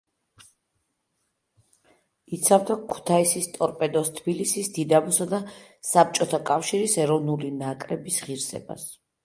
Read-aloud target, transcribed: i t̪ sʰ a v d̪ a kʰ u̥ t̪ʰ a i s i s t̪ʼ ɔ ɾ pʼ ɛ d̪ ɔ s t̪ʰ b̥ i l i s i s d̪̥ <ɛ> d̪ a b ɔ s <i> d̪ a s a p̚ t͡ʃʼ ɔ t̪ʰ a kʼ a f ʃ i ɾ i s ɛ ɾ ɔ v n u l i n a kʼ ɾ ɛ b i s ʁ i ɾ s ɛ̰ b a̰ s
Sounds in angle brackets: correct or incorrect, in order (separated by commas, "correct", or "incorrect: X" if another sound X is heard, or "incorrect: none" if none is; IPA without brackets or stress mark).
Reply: incorrect: i, incorrect: a